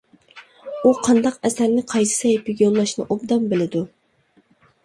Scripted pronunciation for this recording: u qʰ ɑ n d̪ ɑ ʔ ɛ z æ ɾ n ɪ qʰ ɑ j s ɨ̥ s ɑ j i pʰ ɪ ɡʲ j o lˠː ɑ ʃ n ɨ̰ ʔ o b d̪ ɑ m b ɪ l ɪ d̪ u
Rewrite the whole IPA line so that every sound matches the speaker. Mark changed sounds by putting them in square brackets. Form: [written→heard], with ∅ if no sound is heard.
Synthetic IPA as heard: u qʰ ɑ n d̪ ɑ [ʔ→q] ɛ [z→s] æ ɾ n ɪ qʰ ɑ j s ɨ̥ s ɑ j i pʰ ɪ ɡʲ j o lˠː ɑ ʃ n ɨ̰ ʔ o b d̪ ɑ m b ɪ l ɪ d̪ u